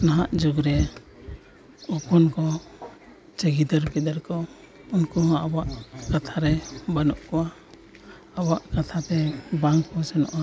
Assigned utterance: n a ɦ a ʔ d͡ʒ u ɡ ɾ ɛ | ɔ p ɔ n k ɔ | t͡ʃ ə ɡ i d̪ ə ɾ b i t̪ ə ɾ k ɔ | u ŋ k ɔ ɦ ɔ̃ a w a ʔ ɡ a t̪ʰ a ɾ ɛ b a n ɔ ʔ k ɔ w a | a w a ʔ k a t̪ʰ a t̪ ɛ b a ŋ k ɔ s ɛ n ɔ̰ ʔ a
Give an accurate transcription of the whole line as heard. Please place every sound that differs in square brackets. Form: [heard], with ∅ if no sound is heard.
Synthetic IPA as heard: n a ɦ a ʔ d͡ʒ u ɡ ɾ ɛ | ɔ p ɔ n k ɔ | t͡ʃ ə ɡ i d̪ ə ɾ b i [d̪] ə ɾ k ɔ | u [n] k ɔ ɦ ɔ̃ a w a ʔ [k] a t̪ʰ a ɾ ɛ b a n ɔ ʔ k ɔ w a | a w a ʔ k a t̪ʰ a t̪ ɛ b a ŋ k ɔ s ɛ n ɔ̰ ʔ a